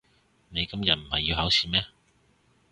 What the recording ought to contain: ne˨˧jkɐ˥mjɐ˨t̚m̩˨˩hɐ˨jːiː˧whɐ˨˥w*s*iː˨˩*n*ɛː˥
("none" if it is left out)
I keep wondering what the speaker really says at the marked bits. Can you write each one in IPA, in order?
s, m

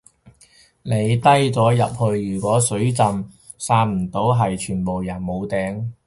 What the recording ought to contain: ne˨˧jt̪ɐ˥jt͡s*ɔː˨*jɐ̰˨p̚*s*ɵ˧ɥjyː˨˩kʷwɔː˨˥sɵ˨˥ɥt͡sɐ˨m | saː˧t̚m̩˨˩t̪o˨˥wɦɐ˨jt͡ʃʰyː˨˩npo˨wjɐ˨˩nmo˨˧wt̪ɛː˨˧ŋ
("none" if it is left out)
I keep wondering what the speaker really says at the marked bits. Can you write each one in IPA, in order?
ɔː˨˥, h

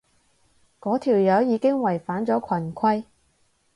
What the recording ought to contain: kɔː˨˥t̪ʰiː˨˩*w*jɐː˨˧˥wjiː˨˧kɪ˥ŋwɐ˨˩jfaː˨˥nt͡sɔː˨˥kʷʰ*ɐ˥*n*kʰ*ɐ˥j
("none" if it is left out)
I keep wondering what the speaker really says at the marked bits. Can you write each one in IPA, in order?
w, ɐ˨˩, kʰ

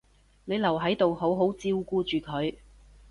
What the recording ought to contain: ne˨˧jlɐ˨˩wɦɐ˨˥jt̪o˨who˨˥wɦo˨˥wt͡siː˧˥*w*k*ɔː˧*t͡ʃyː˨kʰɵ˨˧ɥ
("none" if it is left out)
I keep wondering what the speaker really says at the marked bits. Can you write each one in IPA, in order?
w, uː˧

